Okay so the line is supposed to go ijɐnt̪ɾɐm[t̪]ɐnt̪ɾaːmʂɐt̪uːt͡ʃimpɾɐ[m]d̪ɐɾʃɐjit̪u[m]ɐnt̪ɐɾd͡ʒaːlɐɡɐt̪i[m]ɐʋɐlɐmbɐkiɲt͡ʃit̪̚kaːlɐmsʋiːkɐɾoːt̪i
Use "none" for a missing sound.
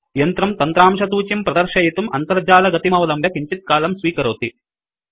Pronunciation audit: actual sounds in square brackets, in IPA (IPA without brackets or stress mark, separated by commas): t̪, none, m, m